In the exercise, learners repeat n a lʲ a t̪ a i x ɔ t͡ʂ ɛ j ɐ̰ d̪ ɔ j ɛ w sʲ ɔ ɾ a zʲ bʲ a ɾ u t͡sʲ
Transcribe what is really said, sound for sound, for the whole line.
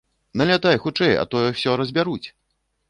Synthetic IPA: n ɐ lʲ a t̪ a j x u t͡ʂ ɛ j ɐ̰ t̪ ɔ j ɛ w sʲ ɔ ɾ ɐ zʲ bʲ a ɾ u t͡sʲ